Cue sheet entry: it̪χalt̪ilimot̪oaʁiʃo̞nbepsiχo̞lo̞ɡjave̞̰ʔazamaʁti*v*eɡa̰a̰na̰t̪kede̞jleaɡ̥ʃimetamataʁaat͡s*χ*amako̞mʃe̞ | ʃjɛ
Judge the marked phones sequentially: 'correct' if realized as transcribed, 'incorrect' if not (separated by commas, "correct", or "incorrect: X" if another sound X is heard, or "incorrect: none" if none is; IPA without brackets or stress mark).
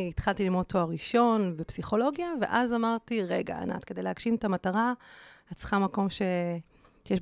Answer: incorrect: ʁ, correct